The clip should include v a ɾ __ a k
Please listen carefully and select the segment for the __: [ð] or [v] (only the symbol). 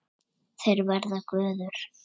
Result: ð